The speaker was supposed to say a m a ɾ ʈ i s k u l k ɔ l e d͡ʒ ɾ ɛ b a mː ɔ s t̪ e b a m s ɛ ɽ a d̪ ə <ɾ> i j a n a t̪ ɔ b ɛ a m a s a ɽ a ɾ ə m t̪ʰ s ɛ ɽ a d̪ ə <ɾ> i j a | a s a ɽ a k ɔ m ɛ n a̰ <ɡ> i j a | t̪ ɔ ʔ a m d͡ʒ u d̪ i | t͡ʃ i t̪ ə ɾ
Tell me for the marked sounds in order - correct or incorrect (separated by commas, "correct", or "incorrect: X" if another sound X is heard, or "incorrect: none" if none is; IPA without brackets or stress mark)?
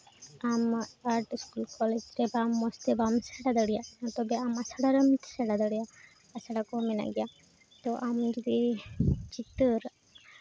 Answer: incorrect: ɽ, incorrect: ɽ, correct